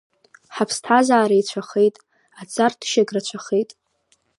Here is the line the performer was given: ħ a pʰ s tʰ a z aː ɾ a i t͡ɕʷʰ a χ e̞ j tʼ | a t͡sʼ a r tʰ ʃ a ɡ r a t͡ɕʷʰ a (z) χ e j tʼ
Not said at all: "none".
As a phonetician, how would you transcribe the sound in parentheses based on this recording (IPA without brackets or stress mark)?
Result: none